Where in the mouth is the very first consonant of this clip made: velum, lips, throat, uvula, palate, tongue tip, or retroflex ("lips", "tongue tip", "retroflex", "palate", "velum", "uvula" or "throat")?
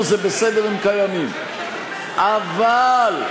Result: tongue tip